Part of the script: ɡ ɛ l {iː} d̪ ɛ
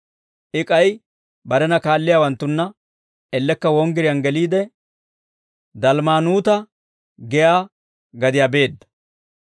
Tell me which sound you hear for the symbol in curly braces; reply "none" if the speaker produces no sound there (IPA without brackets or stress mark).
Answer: iː